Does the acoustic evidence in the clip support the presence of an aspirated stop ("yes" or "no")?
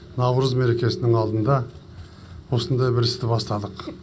no